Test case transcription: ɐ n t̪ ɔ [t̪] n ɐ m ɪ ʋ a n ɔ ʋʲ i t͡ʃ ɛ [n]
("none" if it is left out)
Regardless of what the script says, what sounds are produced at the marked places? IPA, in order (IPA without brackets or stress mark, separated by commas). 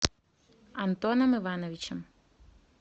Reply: none, m